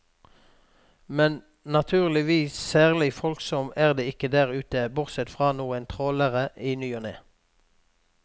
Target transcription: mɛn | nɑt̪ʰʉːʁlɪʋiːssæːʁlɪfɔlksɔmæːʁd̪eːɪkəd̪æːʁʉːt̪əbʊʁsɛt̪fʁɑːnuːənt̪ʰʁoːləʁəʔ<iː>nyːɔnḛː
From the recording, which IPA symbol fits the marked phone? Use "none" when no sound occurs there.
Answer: iː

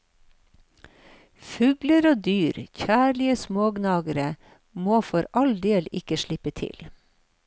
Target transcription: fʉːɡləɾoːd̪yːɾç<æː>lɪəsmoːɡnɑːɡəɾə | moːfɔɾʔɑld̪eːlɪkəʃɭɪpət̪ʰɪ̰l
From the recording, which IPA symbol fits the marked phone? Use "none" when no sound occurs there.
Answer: æː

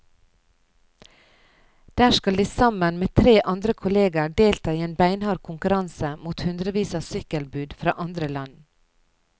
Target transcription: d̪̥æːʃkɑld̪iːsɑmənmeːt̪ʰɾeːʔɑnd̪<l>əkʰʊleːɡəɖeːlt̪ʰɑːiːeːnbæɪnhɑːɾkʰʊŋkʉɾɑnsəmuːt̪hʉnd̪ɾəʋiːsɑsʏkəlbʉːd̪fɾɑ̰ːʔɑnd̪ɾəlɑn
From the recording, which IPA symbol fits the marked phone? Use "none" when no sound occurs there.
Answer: ɾ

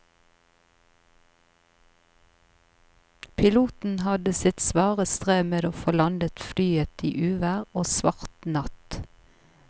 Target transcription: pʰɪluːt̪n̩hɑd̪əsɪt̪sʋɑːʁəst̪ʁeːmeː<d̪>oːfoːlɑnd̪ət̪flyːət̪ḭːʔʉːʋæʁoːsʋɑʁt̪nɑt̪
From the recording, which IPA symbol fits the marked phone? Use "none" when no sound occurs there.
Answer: d̪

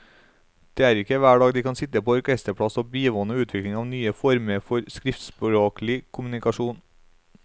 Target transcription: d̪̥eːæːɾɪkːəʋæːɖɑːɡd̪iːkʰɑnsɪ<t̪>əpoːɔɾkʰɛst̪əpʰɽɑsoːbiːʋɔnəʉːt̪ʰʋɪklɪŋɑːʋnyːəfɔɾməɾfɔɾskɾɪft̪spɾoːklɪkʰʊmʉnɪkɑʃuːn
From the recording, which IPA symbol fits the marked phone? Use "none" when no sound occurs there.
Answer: t̪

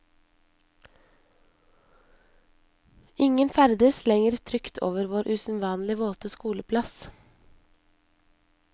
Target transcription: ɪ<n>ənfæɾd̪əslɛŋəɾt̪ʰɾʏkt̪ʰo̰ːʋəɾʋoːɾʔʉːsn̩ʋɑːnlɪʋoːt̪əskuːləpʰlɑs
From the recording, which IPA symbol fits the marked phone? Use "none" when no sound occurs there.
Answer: ŋ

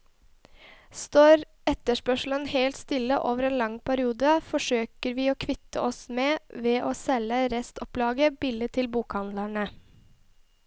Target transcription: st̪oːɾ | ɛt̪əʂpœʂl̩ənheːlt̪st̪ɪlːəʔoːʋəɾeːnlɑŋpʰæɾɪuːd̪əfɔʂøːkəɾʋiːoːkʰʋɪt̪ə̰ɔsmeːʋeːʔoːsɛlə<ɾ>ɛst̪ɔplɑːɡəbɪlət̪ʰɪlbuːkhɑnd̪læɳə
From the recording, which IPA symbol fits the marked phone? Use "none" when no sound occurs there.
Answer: ɾ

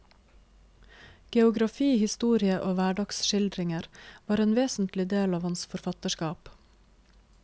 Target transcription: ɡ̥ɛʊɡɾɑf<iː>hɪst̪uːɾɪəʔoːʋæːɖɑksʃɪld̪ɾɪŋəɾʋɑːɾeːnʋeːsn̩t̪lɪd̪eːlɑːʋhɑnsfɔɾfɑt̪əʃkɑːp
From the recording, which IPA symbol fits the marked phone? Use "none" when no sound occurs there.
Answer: iː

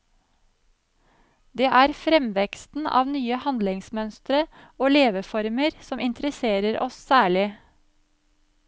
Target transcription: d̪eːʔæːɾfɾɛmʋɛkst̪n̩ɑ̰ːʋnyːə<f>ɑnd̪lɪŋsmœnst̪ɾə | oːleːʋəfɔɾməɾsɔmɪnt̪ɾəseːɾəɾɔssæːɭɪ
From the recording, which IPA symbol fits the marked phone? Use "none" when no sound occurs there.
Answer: h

